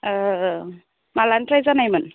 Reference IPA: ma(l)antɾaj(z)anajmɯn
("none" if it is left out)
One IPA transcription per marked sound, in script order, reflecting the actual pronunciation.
l, z

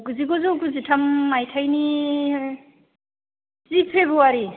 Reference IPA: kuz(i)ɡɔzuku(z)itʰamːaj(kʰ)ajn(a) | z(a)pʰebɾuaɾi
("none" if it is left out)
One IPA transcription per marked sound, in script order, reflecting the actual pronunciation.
i, z, tʰ, i, i

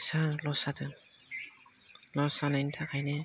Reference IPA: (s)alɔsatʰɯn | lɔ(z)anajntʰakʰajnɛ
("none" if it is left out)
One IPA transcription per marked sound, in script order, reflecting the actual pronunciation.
s, s

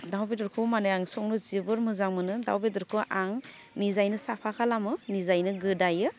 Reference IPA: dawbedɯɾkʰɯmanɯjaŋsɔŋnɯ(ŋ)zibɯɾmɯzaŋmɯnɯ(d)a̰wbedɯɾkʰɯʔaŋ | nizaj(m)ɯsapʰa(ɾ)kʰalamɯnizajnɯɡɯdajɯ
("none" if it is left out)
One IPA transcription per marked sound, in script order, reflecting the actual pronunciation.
none, d, n, none

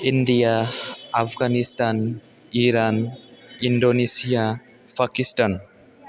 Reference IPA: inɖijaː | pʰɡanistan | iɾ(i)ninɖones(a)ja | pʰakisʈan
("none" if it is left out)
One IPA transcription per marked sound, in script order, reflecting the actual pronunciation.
a, i

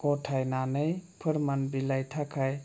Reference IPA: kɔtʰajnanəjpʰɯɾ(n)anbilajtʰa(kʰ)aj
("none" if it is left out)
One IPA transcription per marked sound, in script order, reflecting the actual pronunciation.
m, kʰ

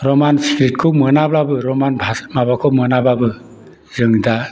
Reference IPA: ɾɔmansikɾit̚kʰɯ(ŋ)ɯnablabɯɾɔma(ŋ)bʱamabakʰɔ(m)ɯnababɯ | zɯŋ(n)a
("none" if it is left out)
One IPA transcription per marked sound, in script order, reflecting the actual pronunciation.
m, n, m, d

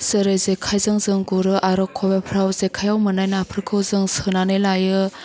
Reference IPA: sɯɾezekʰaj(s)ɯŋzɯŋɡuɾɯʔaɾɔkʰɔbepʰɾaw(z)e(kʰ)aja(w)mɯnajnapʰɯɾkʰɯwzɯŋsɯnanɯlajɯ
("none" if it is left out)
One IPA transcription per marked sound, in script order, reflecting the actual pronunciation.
z, z, kʰ, w

